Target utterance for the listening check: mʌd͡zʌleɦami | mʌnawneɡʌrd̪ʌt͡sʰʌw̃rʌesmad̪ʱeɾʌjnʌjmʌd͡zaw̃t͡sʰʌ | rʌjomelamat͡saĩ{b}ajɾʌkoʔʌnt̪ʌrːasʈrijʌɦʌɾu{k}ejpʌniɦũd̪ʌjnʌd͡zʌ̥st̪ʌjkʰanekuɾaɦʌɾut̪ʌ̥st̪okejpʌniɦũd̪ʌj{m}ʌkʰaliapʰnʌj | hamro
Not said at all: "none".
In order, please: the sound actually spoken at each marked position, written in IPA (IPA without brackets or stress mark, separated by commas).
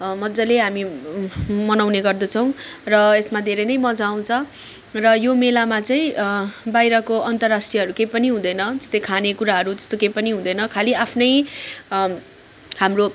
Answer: b, k, n